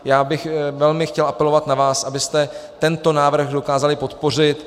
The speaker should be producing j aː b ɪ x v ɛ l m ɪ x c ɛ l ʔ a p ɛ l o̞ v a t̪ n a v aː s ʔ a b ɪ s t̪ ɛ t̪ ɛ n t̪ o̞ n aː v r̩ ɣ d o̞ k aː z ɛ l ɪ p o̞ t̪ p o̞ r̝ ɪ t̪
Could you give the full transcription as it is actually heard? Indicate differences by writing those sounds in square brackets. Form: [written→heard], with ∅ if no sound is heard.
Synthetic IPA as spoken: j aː b ɪ x v ɛ l m ɪ x c ɛ l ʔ a p ɛ l o̞ v a t̪ n a v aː s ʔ a b ɪ s t̪ ɛ t̪ ɛ n t̪ o̞ n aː v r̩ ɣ d o̞ k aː z [ɛ→a] l ɪ p o̞ t̪ p o̞ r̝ ɪ t̪